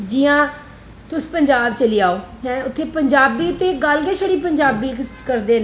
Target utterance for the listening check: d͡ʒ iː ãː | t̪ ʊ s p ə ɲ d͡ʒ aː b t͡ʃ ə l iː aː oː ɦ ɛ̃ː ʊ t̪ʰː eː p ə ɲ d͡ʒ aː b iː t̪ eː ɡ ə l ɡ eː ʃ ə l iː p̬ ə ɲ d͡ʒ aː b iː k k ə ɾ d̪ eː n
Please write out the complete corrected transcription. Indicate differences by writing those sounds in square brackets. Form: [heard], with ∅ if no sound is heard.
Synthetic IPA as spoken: d͡ʒ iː ãː | t̪ ʊ s p ə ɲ d͡ʒ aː b t͡ʃ ə l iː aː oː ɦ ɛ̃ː ʊ t̪ʰː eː p ə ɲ d͡ʒ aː b iː t̪ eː ɡ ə l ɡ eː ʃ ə [ɽ] iː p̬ ə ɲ d͡ʒ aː b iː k k ə ɾ d̪ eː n